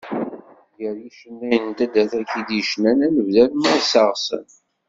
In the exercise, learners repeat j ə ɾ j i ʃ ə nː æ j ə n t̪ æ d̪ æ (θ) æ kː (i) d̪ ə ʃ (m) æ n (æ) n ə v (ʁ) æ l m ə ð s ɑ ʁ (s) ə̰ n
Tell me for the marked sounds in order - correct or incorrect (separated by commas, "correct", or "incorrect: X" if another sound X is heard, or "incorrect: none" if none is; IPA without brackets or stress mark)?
correct, correct, incorrect: n, correct, incorrect: ð, correct